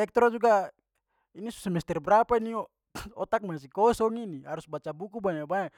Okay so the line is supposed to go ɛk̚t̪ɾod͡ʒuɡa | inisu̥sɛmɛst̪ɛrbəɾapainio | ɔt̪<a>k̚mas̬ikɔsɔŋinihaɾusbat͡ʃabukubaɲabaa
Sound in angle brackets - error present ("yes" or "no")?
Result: no